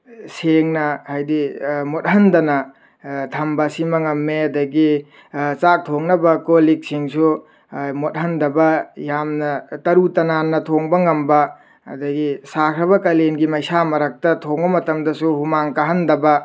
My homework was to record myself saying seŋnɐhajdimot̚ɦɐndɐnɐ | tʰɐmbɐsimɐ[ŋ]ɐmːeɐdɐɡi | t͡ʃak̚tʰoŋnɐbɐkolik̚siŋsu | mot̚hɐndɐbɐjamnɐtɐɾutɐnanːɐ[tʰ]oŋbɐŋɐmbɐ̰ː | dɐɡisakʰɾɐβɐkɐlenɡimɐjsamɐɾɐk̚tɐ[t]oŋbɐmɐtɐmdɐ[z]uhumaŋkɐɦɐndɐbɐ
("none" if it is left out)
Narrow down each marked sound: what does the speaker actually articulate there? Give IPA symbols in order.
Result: ŋ, tʰ, tʰ, s

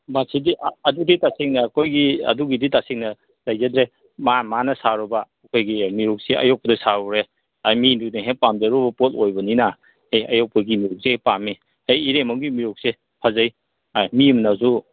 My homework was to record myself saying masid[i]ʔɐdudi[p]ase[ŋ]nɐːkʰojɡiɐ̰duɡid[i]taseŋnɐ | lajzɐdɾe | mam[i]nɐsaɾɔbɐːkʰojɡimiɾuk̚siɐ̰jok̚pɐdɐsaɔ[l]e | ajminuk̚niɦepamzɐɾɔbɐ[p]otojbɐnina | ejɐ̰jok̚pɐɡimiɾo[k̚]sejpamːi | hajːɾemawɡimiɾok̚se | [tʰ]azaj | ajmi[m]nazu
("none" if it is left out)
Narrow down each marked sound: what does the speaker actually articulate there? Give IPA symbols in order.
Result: i, t, ŋ, i, a, ɾ, p, k̚, pʰ, m

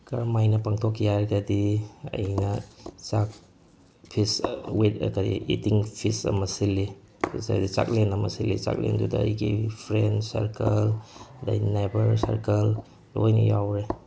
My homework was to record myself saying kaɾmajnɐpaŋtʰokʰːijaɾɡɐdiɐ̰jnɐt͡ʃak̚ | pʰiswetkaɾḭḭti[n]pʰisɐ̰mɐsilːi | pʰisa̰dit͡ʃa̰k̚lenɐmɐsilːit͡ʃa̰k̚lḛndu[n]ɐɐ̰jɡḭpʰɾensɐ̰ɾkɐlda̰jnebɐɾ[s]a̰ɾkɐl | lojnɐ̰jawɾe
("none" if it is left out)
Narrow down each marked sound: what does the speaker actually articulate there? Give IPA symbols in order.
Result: ŋ, d, s

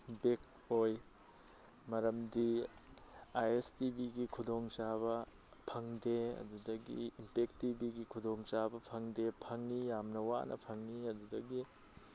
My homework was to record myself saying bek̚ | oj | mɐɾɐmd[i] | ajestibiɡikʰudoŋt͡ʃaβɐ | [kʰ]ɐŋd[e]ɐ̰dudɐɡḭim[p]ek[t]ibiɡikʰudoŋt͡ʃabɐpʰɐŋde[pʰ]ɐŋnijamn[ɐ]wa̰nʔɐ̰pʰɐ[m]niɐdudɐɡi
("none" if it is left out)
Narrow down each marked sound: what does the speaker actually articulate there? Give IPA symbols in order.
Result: i, pʰ, e, p, t, pʰ, ɐ, ŋ

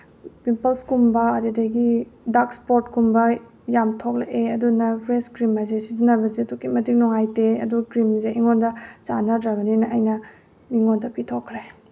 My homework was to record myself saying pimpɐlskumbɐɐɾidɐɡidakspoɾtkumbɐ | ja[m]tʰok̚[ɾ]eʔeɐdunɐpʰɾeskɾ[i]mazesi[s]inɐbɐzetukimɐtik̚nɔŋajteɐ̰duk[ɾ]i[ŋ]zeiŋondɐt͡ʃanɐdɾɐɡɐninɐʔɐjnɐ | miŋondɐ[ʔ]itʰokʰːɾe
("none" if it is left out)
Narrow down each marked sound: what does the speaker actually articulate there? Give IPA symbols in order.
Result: m, l, i, z, ɾ, m, p

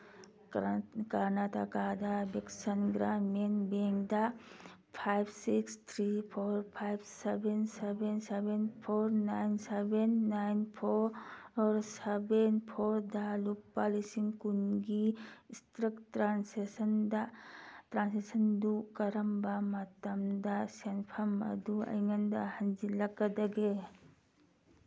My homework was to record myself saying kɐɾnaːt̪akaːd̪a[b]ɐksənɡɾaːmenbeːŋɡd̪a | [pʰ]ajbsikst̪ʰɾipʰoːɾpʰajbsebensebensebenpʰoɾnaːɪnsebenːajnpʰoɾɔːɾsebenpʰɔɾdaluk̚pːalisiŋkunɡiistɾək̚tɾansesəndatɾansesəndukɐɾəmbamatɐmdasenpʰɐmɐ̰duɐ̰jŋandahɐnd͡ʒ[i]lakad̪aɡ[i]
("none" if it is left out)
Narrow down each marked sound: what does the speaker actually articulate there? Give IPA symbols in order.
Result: b, pʰ, i, e

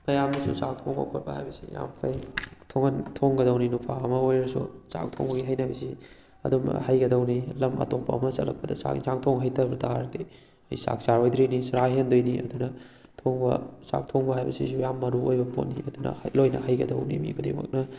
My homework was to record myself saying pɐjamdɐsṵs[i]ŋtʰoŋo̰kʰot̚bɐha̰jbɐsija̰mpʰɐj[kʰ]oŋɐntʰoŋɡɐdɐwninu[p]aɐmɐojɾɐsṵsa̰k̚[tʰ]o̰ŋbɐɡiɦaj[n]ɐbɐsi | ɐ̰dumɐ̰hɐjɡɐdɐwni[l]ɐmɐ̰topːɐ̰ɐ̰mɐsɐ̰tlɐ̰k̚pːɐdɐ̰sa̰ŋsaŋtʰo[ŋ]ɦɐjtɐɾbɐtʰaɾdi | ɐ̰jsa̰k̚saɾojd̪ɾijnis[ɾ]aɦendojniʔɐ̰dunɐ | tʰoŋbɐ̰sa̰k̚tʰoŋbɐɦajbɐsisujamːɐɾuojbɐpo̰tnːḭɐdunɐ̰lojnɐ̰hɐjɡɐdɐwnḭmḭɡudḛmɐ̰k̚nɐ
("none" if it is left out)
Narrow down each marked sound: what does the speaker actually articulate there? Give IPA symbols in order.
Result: a, tʰ, pʰ, tʰ, n, l, ŋ, ɾ

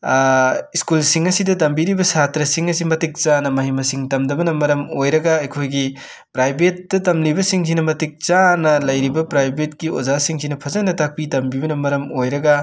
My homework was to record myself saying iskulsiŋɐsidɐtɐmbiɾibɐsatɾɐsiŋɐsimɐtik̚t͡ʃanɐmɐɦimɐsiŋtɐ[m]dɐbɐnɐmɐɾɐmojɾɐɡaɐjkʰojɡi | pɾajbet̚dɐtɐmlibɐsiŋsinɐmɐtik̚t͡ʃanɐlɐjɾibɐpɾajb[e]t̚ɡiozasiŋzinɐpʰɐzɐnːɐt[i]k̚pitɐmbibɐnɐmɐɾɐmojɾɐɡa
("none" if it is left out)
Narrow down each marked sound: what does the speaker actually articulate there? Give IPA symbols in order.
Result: m, e, a

